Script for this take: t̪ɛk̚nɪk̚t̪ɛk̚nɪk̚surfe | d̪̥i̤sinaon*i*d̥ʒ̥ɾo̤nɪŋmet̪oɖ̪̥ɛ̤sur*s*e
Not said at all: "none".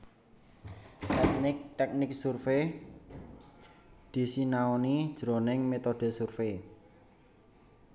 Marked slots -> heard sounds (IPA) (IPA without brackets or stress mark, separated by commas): i, f